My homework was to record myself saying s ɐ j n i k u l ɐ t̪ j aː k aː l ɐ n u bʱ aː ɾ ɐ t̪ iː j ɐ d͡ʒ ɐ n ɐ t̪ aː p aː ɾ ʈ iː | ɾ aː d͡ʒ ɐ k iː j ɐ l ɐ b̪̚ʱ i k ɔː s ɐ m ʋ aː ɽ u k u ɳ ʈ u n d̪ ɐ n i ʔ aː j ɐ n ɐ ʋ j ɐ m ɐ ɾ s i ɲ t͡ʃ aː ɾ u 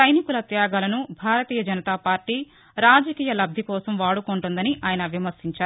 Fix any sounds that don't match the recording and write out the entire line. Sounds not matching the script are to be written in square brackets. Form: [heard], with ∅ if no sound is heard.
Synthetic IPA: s ɐ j n i k u l ɐ t̪ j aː [ɡ] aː l ɐ n u bʱ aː ɾ ɐ t̪ iː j ɐ d͡ʒ ɐ n ɐ t̪ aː p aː ɾ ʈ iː | ɾ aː d͡ʒ ɐ k iː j ɐ l ɐ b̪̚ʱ i k ɔː s ɐ m ʋ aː ɽ u k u ɳ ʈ u n d̪ ɐ n i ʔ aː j ɐ n ɐ ʋ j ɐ m ɐ ɾ s i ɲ t͡ʃ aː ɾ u